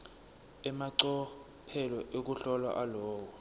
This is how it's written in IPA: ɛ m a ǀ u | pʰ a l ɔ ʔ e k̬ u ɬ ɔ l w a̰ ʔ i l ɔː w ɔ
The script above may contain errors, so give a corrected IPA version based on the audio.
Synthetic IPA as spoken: ɛ m a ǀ ɔ | pʰ ɛ l ɔ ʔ e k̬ u ɬ ɔ l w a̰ ʔ a l ɔː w ɔ

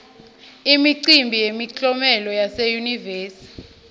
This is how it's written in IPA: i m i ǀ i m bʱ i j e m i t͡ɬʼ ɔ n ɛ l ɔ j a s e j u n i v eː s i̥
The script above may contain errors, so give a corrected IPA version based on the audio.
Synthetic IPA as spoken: i m i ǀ i m bʱ i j e m i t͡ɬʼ ɔ m ɛ l ɔ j a s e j u n i v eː s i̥

